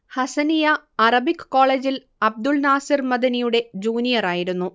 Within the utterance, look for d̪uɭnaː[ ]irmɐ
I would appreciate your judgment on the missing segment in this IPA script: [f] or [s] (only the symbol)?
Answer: s